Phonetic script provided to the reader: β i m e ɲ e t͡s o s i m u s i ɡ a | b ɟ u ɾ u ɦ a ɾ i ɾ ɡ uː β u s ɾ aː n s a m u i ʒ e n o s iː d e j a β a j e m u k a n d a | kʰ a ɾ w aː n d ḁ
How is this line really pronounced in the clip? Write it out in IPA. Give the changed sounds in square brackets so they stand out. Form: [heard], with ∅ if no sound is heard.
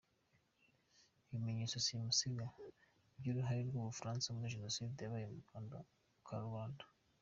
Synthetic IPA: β i m e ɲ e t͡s o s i m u s i ɡ a | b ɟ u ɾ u ɦ a ɾ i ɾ ɡ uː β u [f] ɾ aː n s a m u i ʒ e n o s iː d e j a β a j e m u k a n d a | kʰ a ɾ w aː n d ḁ